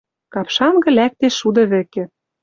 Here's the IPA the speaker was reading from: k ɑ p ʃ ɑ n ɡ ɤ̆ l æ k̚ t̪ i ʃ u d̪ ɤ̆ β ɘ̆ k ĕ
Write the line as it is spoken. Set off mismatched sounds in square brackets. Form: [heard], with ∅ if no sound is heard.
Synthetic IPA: k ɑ p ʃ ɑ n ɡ ɤ̆ l æ k̚ t̪ [e] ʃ u d̪ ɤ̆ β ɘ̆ k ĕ